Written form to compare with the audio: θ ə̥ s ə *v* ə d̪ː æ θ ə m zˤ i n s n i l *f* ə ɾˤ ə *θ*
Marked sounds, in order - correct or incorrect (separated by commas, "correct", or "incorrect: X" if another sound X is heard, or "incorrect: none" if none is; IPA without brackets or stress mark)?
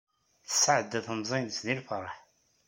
incorrect: ʕ, correct, incorrect: ħ